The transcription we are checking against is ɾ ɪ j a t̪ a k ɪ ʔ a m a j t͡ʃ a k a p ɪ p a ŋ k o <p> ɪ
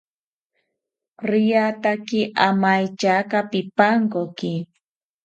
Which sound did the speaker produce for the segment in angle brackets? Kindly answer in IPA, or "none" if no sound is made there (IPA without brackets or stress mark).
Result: k